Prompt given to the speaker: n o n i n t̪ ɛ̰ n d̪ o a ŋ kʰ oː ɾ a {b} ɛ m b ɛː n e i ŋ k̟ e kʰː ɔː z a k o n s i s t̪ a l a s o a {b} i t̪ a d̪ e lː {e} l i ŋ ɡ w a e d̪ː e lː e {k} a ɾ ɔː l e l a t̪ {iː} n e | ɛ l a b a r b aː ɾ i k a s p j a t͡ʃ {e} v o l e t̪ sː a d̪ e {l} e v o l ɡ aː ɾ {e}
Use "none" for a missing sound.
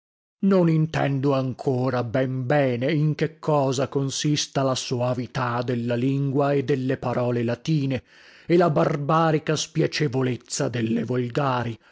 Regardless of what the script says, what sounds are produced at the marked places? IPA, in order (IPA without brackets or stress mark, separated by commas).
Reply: b, v, a, p, iː, e, lː, i